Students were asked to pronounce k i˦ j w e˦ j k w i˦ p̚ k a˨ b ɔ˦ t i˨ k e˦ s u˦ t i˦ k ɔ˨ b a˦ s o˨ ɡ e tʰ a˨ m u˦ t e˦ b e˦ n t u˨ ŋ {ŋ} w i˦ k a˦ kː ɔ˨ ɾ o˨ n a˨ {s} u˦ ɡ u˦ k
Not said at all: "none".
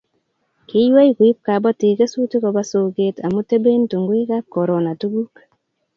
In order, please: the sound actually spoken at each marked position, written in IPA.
ɡ, t

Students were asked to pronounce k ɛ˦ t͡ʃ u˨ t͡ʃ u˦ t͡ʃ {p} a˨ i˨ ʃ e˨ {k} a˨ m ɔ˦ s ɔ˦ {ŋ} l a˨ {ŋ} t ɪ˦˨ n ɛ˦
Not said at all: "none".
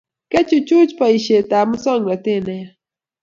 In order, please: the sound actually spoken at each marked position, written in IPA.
p, t, ŋ, none

